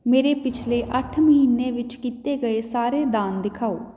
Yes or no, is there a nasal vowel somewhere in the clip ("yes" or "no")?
no